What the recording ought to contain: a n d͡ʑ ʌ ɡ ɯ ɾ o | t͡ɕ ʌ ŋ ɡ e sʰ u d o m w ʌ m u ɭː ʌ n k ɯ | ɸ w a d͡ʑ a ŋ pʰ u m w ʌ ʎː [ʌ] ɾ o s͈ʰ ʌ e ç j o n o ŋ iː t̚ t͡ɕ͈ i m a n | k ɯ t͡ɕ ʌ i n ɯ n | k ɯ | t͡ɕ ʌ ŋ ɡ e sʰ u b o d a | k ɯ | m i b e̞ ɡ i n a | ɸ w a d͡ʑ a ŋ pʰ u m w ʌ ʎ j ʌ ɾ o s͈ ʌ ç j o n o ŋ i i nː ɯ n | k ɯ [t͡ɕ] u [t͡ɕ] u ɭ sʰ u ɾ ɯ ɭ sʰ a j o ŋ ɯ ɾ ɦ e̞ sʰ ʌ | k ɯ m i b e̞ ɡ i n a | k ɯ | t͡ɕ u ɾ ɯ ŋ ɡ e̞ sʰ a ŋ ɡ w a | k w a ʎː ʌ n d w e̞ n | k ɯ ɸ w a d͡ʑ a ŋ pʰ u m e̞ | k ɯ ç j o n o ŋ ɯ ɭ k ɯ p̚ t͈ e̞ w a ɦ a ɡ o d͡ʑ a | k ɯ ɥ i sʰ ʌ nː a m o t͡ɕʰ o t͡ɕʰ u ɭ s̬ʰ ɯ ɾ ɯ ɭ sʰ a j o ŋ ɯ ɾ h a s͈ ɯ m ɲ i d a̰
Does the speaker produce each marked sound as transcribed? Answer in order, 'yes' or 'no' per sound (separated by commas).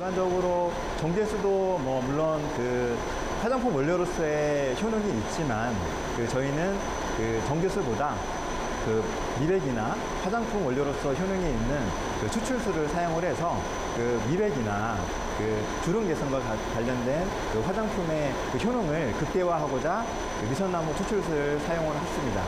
yes, no, no